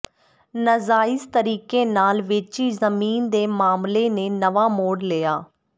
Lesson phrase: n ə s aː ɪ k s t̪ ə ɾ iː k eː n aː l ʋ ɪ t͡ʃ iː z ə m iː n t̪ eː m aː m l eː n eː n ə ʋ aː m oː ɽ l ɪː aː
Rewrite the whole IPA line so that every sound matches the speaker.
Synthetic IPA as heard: n ə z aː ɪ s t̪ ə ɾ iː k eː n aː l ʋ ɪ t͡ʃ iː z ə m iː n d̪ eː m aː m l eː n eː n ə ʋ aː m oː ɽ l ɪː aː

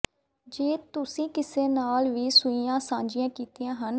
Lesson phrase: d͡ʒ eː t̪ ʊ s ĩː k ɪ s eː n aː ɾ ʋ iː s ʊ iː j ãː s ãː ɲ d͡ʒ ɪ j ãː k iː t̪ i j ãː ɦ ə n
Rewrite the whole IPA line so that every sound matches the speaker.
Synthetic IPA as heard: d͡ʒ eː t̪ ʊ s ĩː k ɪ s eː n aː l ʋ iː s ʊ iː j ãː s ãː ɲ d͡ʒ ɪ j ãː k iː t̪ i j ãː ɦ ə n

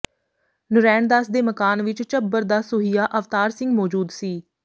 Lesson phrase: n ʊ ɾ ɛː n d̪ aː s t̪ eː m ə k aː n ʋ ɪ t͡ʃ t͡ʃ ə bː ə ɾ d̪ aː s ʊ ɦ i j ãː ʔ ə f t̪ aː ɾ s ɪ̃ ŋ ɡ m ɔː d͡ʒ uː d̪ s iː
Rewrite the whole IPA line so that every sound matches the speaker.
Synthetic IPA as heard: n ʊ ɾ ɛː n d̪ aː s d̪ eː m ə k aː n ʋ ɪ t͡ʃ t͡ʃ ə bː ə ɾ d̪ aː s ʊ ɦ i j aː ʔ ə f t̪ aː ɾ s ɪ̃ ŋ ɡ m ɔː d͡ʒ uː d̪ s iː

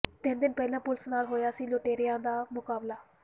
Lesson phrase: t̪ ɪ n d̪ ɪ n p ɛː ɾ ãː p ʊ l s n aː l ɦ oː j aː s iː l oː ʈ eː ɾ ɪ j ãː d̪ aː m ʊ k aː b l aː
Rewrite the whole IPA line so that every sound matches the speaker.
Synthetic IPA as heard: t̪ ɪ n d̪ ɪ n p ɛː l ãː p ʊ l s n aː l ɦ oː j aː s iː l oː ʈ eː ɾ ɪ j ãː d̪ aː m ʊ k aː b l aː

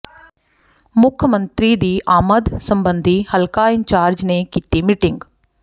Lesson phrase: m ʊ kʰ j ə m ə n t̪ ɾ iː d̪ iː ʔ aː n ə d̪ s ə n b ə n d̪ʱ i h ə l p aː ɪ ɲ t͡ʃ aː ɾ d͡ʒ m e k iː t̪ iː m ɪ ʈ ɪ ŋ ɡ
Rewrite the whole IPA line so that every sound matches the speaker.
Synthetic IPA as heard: m ʊ kʰ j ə m ə n t̪ ɾ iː d̪ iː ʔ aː m ə d̪ s ə m b ə n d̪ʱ i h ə l k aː ɪ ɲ t͡ʃ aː ɾ d͡ʒ n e k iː t̪ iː m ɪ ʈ ɪ ŋ ɡ

